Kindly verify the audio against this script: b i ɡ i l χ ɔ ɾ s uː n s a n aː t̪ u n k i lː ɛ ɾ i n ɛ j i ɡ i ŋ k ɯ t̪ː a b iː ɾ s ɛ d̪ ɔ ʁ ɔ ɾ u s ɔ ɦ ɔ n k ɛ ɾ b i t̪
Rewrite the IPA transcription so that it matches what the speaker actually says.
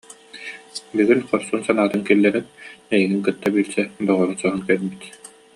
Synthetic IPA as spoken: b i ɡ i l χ ɔ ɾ s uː n s a n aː t̪ ɯ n k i lː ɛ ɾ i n ɛ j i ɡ i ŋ k ɯ t̪ː a b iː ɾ s ɛ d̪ ɔ ʁ ɔ ɾ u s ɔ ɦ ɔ n k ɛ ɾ b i t̪